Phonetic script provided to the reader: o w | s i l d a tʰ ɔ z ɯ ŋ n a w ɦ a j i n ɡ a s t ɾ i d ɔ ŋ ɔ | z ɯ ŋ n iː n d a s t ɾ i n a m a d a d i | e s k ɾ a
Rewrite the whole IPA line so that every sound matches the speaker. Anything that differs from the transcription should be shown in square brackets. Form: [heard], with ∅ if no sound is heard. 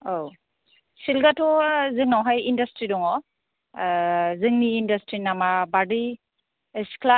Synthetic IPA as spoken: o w | s i l [ɡ] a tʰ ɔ z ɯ ŋ n a w ɦ a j i n [d] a s t ɾ i d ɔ ŋ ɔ | z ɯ ŋ n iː n d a s t ɾ i n a m a [b] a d i | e s k [l] a